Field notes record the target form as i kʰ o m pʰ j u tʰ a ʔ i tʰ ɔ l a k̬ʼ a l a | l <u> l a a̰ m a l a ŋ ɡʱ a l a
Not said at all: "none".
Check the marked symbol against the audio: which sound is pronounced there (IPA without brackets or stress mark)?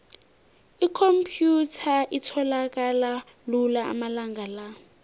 u